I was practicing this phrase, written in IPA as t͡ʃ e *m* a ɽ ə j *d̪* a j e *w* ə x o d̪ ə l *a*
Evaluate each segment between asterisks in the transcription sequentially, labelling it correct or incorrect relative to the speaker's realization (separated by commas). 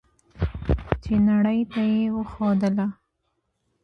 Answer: incorrect, incorrect, correct, correct